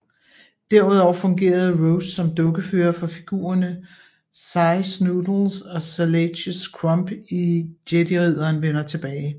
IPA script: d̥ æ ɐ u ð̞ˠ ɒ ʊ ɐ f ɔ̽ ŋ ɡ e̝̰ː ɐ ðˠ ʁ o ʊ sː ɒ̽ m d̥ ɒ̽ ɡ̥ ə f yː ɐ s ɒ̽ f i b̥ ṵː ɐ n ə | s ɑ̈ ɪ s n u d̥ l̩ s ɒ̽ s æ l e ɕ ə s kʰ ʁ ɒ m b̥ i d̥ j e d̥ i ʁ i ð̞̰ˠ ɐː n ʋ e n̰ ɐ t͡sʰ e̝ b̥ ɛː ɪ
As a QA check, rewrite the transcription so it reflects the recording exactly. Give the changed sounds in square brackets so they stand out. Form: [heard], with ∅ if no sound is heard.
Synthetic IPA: d̥ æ ɐ u ð̞ˠ ɒ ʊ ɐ f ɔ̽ ŋ ɡ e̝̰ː ɐ ðˠ ʁ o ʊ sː ɒ̽ m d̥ [ɔ̽] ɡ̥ ə f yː ɐ [f] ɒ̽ f i [ɡ̥] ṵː ɐ n ə | s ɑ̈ ɪ s n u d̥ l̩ s ɒ̽ s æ l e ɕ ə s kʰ ʁ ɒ m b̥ i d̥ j e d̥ i ʁ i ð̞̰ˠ ɐː n ʋ e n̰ ɐ t͡sʰ e̝ b̥ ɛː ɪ

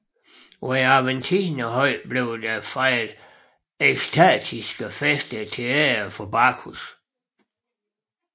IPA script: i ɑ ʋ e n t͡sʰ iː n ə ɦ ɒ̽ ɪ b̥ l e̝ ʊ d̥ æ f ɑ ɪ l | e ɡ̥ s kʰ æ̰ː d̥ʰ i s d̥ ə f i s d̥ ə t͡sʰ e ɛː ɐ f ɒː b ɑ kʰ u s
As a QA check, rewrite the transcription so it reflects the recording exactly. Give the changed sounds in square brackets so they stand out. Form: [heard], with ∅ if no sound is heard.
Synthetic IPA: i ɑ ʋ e n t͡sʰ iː n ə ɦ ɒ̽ ɪ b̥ l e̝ ʊ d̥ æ f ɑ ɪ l | e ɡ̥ s [tʰ] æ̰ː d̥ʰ i s [ɡ̥] ə f [e] s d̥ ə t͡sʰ e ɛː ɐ f [ɒ] b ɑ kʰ u s

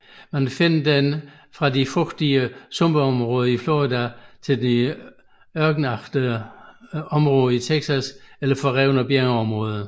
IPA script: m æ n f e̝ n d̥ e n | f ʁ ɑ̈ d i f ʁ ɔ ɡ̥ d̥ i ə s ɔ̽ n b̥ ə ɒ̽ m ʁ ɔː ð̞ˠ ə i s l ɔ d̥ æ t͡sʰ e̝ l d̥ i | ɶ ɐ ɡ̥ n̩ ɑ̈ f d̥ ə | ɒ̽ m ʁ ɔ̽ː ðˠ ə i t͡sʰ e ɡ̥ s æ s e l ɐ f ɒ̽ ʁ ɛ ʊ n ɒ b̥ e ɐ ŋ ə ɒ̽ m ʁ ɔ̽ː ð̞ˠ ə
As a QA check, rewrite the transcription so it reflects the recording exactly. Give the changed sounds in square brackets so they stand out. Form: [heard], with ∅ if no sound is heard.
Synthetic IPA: m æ n f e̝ n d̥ e n | f ʁ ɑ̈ d i f ʁ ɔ ɡ̥ d̥ i ə s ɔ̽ [m] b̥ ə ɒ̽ m ʁ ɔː ð̞ˠ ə i [f] l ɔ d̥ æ t͡sʰ e̝ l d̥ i | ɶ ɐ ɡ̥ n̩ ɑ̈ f d̥ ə | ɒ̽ m ʁ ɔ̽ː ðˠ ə i t͡sʰ e ɡ̥ s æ s e l ɐ f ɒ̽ ʁ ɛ ʊ n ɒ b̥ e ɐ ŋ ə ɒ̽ m ʁ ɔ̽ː ð̞ˠ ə

